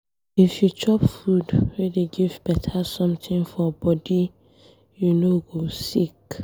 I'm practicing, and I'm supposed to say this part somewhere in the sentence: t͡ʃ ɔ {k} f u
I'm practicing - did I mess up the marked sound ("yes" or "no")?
yes